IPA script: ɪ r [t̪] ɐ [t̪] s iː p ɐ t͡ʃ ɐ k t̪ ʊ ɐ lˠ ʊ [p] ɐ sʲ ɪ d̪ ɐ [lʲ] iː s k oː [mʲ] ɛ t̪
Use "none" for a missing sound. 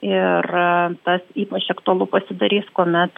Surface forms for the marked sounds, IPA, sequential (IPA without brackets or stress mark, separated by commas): t̪, none, p, ɾʲ, mʲ